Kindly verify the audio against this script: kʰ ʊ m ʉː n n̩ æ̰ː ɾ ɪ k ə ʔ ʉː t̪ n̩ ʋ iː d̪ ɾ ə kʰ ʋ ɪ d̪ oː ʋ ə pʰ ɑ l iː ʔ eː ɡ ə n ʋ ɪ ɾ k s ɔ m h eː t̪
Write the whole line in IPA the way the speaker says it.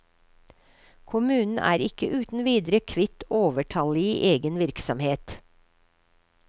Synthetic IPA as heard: kʰ ʊ m ʉː n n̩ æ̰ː ɾ ɪ k ə ʔ ʉː t̪ n̩ ʋ iː d̪ ɾ ə kʰ ʋ ɪ t̪ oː ʋ ə ʈʰ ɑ l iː ʔ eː ɡ ə n ʋ ɪ ɾ k s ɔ m h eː t̪